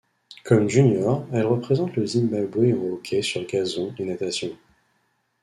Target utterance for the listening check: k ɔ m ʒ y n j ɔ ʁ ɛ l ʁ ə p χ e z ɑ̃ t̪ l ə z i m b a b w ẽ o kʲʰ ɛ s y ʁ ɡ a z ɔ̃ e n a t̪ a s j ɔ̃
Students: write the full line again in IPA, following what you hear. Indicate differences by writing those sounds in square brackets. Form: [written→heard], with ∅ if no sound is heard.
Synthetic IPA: k ɔ m ʒ y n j ɔ ʁ ɛ l ʁ ə p χ e z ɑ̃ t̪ l ə z i m b a b w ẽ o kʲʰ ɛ s y ʁ ɡ a z ɔ̃ e n a t̪ a s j ɔ̃

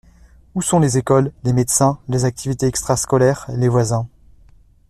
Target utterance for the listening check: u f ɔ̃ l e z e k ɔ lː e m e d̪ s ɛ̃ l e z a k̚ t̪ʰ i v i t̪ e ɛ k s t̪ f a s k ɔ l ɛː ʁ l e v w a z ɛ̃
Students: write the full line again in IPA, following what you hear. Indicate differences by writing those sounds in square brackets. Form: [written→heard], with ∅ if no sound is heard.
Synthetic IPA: u [f→s] ɔ̃ l e z e k ɔ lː e m e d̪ s ɛ̃ l e z a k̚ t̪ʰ i v i t̪ e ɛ k s t̪ [f→χ] a s k ɔ l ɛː ʁ l e v w a z ɛ̃

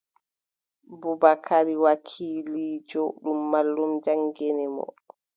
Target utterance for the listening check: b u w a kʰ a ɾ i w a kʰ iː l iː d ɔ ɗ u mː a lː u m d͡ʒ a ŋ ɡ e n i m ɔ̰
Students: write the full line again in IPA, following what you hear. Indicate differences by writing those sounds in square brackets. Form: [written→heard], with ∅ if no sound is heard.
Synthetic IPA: b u [w→b] a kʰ a ɾ i w a kʰ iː l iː [d→d͡ʒ] ɔ ɗ u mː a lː u m d͡ʒ a ŋ ɡ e n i m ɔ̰

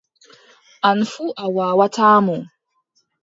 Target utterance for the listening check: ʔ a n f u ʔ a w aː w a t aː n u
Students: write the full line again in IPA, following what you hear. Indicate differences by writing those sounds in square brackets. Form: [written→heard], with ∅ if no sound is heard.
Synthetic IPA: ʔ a n f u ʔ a w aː w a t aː [n→m] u

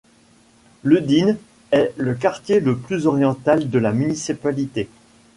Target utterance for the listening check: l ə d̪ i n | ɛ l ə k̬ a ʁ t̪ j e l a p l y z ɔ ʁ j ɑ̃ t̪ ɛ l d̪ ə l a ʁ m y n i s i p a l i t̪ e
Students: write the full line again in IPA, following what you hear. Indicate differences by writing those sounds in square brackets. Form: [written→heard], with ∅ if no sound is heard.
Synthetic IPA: l ə d̪ i n | ɛ l ə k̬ a ʁ t̪ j e l [a→ə] p l y z ɔ ʁ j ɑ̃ t̪ [ɛ→a] l d̪ ə l a [ʁ→∅] m y n i s i p a l i t̪ e

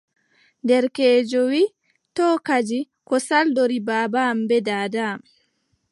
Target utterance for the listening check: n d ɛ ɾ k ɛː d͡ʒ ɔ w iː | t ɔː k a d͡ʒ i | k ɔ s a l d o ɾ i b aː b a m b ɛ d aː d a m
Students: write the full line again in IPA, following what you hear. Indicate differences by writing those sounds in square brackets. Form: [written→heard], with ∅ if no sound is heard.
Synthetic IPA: n d ɛ ɾ k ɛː d͡ʒ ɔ w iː | t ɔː k a d͡ʒ i | k ɔ s a l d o ɾ i b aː b a m b ɛ d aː d a m

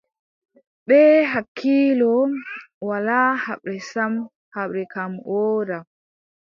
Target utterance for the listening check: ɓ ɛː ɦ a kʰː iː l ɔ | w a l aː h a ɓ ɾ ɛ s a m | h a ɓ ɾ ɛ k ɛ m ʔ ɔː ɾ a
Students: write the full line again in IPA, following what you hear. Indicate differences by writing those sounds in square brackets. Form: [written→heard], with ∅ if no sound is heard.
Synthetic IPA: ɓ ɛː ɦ a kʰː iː l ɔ | w a l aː h a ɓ ɾ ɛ s a m | h a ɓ ɾ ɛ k [ɛ→a] m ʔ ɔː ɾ a

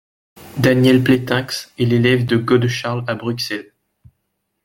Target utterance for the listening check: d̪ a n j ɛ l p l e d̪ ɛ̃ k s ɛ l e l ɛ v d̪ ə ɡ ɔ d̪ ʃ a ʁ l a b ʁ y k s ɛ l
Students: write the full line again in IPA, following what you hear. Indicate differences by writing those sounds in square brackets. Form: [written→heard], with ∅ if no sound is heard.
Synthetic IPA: d̪ a n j ɛ l p l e [d̪→t̪] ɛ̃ k s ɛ l e l ɛ v d̪ ə ɡ ɔ d̪ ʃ a ʁ l a b ʁ y k s ɛ l

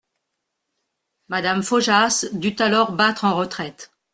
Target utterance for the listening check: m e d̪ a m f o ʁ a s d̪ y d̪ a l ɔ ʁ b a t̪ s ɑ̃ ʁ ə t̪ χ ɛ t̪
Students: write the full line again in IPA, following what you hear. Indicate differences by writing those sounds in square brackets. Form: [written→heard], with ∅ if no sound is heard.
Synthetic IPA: m [e→a] d̪ a m f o [ʁ→ʒ] a s d̪ y [d̪→t̪] a l ɔ ʁ b a t̪ [s→χ] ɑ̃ ʁ ə t̪ χ ɛ t̪

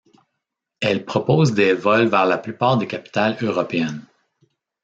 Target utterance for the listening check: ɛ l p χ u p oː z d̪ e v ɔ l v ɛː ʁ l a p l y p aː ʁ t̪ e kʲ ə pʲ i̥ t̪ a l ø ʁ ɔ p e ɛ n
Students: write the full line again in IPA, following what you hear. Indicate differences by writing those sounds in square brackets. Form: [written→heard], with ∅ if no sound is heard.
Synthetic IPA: ɛ l p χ [u→ɔ] p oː z d̪ e v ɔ l v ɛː ʁ l a p l y p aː ʁ [t̪→d̪] e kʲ [ə→a] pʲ i̥ t̪ a l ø ʁ ɔ p e ɛ n

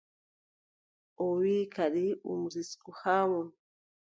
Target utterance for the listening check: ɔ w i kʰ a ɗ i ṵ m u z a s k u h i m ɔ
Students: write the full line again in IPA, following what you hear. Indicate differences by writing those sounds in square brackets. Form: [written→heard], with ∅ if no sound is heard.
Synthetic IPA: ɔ w i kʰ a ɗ i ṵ m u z [a→i] s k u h [i→a] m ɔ

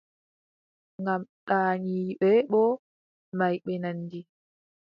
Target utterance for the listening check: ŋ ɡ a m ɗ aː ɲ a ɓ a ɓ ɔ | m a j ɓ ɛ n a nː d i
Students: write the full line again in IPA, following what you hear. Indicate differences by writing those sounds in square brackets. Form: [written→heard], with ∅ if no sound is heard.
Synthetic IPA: ŋ ɡ a m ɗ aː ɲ [a→i] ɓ [a→ɛ] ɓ ɔ | m a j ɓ ɛ n a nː d i

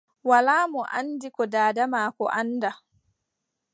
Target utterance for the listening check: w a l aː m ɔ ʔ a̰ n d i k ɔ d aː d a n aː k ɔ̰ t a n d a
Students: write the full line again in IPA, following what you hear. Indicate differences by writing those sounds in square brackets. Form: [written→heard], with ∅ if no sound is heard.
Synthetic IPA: w a l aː m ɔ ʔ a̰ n d i k ɔ d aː d a [n→m] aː k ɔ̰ [t→ʔ] a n d a

